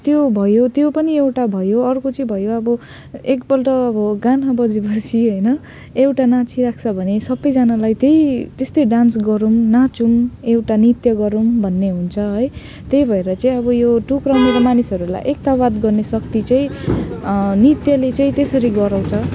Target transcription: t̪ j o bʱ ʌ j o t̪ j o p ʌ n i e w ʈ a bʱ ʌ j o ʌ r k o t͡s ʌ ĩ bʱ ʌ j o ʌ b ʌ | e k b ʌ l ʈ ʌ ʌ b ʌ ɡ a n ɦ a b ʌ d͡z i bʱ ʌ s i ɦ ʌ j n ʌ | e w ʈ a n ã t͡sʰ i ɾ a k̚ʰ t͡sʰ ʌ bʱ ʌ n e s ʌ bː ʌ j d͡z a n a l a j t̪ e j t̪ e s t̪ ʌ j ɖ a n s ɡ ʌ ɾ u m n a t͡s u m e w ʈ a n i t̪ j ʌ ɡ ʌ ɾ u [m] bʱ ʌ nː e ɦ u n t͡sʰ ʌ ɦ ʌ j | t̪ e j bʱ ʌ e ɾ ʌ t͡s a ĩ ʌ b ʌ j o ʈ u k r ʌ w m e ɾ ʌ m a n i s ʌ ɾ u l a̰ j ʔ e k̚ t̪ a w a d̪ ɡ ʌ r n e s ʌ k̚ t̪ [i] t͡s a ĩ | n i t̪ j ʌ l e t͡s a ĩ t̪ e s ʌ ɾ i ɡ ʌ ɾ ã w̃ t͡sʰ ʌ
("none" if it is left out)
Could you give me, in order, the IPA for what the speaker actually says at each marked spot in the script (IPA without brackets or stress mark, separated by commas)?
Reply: m, i